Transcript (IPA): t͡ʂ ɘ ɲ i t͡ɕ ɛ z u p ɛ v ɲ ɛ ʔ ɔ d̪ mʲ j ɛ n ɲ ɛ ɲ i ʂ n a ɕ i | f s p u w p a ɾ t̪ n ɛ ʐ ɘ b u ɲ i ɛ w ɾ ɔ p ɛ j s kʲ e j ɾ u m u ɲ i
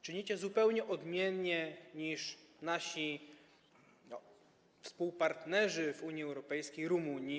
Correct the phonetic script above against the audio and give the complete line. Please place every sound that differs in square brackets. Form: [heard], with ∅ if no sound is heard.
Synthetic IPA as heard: t͡ʂ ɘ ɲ i t͡ɕ ɛ z u p ɛ [w] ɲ ɛ ʔ ɔ d̪ mʲ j ɛ n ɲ ɛ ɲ i ʂ n a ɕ i | f s p u w p a ɾ t̪ n ɛ ʐ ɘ [v] u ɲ i ɛ w ɾ ɔ p ɛ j s kʲ e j ɾ u m u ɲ i